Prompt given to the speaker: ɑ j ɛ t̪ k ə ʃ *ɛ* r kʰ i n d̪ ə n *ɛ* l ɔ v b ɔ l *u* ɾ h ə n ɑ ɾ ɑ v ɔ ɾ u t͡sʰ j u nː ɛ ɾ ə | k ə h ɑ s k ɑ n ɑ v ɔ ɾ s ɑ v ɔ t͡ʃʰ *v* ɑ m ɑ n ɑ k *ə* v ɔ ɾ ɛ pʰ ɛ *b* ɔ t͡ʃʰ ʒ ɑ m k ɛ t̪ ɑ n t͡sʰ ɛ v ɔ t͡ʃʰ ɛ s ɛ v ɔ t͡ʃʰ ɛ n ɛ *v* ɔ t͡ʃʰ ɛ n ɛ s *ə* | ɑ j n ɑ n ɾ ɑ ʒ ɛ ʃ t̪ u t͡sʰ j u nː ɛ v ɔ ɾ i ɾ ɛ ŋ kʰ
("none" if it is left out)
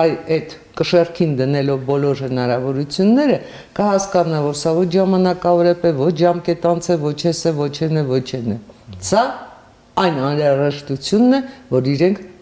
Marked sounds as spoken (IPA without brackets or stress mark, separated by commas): ɛ, ɛ, ɔ, ʒ, ɑ, v, v, ɑ